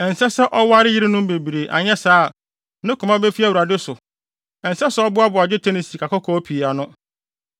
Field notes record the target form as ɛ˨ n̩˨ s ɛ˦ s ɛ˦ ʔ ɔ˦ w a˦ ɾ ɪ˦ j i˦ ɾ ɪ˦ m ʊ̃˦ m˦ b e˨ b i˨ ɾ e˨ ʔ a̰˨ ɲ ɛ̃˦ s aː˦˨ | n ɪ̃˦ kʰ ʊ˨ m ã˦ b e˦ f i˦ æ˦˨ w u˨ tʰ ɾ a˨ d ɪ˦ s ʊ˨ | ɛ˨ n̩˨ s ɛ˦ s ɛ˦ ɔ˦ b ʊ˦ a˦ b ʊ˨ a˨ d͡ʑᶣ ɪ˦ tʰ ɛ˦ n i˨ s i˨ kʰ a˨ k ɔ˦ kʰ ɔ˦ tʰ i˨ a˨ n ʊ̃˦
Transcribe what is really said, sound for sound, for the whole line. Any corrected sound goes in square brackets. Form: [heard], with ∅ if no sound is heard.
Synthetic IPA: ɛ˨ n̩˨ s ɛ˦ s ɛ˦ ʔ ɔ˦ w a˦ ɾ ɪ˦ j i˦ ɾ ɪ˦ [n] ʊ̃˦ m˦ b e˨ b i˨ ɾ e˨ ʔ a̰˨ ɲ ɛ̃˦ s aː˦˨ | n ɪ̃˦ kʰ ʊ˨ m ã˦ b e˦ f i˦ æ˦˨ w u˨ [∅] ɾ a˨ d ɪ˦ s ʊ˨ | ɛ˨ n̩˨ s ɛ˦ s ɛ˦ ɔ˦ b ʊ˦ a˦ b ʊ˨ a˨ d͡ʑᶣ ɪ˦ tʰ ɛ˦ n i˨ s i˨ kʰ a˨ k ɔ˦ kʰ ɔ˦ [pʰ] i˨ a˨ n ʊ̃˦